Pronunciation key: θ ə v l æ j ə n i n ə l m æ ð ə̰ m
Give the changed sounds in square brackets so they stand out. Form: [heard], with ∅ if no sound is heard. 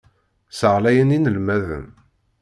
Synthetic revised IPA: [s] ə [ʁ] l æ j ə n i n ə l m æ ð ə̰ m